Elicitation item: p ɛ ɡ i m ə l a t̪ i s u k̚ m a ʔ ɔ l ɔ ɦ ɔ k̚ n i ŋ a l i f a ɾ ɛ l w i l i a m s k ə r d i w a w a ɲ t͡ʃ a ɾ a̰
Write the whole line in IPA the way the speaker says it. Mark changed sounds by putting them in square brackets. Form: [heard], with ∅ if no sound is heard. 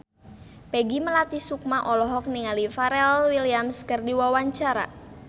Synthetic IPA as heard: p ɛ ɡ i m ə l a t̪ i s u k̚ m a ʔ ɔ l ɔ ɦ ɔ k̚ n i ŋ a l i f a ɾ ɛ l w i l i a m s k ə r d i w a w a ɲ t͡ʃ a ɾ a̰